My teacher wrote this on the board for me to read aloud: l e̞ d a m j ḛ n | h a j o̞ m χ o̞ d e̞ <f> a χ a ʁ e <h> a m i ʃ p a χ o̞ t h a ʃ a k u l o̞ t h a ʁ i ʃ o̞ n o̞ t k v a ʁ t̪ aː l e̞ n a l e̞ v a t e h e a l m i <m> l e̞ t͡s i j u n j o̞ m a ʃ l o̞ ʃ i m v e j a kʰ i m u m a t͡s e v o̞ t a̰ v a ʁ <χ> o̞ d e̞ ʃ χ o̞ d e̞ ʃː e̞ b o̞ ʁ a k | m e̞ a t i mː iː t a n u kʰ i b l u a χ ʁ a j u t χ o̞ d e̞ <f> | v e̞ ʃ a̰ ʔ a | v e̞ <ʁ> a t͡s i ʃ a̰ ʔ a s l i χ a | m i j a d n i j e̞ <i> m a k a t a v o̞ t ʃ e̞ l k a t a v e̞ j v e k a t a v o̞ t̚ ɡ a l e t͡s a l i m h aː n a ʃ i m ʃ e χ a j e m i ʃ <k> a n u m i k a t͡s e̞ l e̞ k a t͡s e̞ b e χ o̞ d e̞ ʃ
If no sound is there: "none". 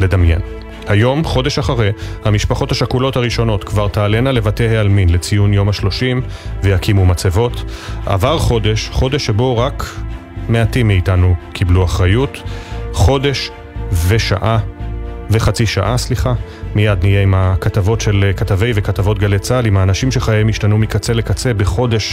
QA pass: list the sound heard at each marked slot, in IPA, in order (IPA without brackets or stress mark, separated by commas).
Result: ʃ, h, n, χ, ʃ, χ, i, t